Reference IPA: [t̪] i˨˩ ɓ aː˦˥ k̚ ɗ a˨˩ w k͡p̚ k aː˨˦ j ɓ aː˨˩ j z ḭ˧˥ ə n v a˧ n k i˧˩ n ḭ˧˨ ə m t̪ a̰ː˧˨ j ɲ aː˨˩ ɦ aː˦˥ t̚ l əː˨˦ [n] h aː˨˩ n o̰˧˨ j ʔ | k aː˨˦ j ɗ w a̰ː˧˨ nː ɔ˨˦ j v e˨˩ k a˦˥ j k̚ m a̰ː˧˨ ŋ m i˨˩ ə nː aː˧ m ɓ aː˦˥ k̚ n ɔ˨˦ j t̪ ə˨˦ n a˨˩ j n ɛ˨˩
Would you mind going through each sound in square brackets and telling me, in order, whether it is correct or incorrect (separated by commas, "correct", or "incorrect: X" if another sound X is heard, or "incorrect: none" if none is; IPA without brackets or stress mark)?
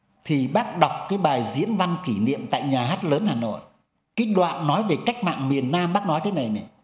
incorrect: t̪ʰ, correct